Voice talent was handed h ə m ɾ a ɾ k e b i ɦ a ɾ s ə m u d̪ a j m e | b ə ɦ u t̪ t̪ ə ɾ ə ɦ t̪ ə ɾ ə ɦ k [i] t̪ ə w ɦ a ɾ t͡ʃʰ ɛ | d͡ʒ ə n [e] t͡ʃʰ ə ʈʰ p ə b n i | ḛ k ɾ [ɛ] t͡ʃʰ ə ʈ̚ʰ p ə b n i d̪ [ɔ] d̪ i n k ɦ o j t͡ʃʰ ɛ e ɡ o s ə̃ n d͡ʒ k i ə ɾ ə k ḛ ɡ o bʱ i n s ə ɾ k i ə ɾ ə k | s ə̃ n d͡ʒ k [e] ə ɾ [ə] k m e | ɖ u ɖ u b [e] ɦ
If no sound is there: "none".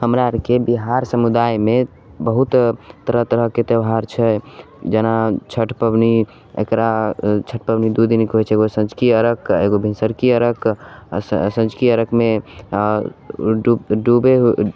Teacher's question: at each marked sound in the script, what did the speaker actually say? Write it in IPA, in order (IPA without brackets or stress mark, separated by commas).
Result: e, a, a, u, i, ə, e